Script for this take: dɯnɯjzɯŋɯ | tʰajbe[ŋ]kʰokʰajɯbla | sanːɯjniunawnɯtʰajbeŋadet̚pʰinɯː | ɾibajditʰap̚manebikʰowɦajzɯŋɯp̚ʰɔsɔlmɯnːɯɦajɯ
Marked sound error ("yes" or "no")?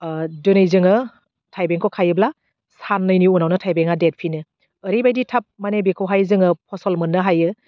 no